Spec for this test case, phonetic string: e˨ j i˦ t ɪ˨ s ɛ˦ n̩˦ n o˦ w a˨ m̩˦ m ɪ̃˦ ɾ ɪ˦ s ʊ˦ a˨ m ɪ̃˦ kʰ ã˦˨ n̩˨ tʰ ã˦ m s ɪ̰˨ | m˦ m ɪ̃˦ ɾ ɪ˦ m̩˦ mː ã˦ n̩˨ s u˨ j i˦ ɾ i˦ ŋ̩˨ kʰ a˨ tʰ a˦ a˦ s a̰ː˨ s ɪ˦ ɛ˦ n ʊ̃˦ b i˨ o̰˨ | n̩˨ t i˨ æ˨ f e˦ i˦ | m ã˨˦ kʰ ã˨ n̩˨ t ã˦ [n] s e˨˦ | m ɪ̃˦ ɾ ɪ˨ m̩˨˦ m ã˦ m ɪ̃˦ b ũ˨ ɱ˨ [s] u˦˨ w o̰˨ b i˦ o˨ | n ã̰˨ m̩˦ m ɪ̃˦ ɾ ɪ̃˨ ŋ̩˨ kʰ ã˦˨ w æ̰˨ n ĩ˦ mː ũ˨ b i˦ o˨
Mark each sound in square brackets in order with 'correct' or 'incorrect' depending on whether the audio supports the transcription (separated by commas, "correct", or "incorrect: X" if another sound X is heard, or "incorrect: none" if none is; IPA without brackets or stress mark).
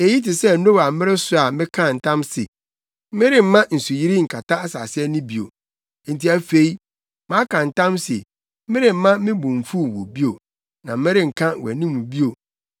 incorrect: m, incorrect: f